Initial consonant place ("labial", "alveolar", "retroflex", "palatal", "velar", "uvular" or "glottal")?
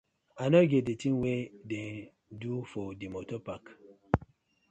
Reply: alveolar